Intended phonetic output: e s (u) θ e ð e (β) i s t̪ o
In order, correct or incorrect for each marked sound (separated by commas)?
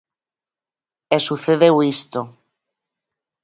correct, incorrect